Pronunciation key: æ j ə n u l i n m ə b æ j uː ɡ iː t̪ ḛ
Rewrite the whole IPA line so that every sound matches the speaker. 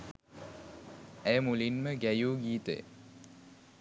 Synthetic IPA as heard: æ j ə m u l i n m ə ɡ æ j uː ɡ iː t̪ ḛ